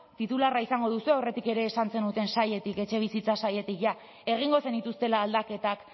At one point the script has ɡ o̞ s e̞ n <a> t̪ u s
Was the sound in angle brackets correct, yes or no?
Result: no